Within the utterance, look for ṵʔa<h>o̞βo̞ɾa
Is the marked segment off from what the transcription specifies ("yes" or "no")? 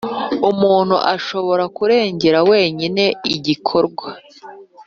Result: yes